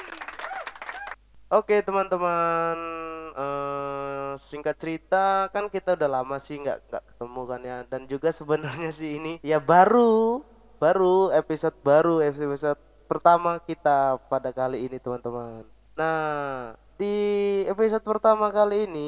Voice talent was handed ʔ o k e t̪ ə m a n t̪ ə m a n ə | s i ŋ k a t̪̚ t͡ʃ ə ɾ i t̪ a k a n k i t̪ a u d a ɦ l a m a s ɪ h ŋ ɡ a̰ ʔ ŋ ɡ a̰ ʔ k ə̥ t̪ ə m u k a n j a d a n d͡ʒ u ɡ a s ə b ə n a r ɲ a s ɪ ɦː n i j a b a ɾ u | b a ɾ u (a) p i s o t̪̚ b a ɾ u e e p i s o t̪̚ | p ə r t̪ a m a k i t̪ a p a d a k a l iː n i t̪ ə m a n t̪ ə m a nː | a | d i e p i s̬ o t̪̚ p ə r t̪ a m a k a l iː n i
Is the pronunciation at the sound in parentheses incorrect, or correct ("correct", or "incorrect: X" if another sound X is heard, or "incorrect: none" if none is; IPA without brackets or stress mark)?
incorrect: e